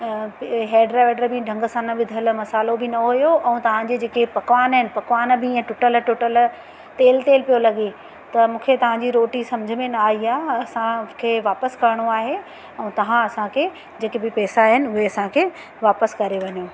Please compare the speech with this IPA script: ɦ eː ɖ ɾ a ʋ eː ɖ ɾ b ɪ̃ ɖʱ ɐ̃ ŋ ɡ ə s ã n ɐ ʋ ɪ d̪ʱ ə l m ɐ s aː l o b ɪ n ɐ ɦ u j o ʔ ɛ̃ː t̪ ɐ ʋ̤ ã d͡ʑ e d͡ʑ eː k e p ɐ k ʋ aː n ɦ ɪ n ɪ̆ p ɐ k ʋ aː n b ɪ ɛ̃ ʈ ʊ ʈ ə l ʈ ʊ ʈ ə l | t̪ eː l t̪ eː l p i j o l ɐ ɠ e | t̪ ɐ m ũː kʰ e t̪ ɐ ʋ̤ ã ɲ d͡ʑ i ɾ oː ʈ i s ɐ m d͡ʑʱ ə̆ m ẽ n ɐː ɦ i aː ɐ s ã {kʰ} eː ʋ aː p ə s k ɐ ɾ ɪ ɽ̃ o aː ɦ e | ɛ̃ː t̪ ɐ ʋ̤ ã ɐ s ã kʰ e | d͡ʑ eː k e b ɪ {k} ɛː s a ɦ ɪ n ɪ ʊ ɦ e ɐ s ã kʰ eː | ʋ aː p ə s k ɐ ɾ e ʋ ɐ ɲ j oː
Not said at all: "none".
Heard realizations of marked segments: kʰ, p

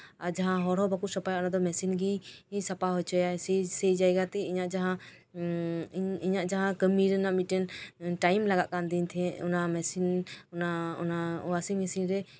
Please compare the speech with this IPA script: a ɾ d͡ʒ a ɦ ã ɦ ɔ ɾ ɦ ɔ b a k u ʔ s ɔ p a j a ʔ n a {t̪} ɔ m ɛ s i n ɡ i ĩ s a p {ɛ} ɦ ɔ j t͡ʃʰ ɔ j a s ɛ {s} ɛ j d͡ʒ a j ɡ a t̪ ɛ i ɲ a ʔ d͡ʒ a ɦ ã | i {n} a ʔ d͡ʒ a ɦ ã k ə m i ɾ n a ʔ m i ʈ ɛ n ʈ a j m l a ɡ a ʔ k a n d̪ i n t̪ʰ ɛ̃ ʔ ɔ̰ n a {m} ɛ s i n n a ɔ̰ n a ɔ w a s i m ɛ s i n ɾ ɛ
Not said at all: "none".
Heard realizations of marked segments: d̪, a, s, ɲ, m

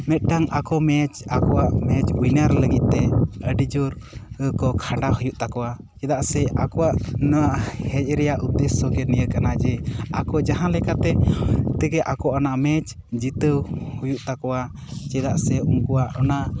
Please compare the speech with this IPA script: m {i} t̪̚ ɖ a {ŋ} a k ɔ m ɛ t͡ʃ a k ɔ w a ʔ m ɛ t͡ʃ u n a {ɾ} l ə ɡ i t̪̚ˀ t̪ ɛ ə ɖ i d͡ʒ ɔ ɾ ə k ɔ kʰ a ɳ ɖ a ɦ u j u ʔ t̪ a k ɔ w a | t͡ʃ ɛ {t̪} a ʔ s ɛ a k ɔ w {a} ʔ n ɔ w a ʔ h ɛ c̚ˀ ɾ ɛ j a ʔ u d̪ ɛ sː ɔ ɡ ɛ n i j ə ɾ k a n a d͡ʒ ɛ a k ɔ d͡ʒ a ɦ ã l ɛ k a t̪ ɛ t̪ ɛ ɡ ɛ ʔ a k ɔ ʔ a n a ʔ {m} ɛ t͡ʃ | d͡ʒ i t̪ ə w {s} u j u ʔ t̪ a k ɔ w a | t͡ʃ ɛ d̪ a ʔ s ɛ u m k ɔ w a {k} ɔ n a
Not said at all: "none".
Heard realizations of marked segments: ɛ, ŋ, ɾ, d̪, a, m, h, ʔ

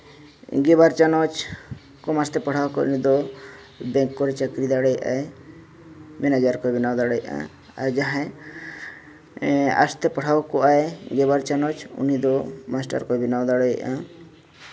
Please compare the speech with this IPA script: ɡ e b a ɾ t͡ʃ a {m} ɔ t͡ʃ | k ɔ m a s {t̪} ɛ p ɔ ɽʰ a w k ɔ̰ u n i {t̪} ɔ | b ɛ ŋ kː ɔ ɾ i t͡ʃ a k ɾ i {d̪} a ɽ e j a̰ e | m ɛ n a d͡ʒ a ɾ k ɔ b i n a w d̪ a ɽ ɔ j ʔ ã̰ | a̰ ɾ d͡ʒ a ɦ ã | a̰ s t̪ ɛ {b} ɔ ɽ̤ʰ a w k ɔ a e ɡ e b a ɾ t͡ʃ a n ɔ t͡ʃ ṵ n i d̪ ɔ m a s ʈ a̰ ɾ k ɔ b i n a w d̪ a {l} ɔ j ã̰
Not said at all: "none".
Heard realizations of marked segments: n, t̪, d̪, d̪, p, ɽ

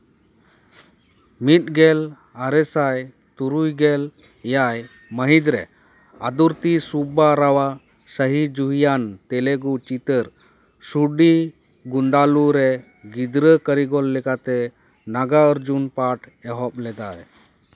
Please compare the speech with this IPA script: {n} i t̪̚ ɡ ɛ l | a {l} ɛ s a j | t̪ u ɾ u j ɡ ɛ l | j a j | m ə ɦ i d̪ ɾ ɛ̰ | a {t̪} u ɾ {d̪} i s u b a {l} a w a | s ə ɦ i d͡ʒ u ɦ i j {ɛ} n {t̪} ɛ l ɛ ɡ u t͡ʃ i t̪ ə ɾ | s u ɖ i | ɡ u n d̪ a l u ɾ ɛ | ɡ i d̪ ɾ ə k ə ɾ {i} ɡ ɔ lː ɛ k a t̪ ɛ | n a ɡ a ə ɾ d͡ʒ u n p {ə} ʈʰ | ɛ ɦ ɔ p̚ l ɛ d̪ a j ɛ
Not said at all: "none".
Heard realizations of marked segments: m, ɾ, d̪, t̪, ɾ, a, t̪, i, a

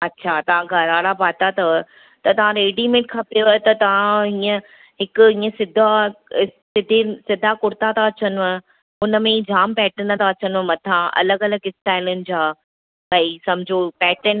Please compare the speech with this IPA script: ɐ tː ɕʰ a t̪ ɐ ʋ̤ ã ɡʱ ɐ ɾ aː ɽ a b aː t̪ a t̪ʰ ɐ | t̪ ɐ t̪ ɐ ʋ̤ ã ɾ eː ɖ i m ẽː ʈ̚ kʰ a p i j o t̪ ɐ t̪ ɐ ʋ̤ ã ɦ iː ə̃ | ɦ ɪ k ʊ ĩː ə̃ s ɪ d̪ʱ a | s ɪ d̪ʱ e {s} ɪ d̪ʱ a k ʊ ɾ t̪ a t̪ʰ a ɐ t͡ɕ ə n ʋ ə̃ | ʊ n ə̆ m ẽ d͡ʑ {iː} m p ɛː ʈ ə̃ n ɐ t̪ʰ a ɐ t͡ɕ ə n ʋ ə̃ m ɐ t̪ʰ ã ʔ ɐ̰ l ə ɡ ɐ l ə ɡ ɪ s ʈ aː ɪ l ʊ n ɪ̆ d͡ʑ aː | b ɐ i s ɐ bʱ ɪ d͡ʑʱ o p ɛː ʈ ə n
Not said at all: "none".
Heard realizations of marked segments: s, aː

